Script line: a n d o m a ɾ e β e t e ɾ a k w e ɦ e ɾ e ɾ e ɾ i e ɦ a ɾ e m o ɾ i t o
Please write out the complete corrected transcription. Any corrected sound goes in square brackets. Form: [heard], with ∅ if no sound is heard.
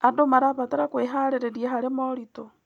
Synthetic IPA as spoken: a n d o m a ɾ [a] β [a] t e ɾ a k w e ɦ [a] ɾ e ɾ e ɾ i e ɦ a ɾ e m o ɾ i t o